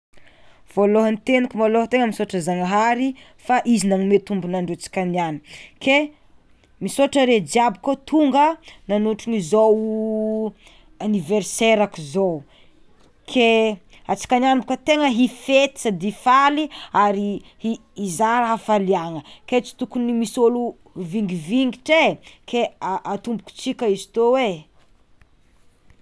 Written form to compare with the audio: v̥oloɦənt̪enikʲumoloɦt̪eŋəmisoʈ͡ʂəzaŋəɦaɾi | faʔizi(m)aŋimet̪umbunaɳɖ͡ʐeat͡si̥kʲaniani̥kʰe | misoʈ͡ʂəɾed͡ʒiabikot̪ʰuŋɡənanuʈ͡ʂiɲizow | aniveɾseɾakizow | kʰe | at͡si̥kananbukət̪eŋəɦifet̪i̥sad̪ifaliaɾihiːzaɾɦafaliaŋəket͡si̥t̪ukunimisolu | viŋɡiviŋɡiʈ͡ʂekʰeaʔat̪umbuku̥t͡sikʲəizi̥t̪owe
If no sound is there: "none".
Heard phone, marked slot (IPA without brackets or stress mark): n